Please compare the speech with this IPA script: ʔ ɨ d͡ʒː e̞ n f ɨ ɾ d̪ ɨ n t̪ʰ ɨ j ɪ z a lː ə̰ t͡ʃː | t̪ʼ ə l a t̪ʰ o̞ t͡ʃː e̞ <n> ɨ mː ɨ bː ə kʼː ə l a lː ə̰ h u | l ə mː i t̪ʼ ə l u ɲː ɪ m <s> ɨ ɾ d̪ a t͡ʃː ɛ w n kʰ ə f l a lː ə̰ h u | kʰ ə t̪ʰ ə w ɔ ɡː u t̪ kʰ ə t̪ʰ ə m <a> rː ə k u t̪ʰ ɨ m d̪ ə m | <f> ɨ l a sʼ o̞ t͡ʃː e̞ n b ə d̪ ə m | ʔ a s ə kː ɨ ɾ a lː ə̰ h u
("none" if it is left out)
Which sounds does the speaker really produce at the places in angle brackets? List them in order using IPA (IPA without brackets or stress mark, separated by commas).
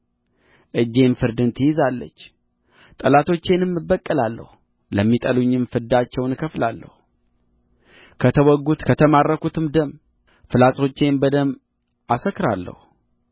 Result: n, f, a, f